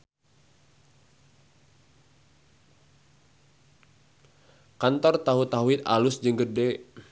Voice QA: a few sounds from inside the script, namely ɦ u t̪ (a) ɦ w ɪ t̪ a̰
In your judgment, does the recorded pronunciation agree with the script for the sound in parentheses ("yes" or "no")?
yes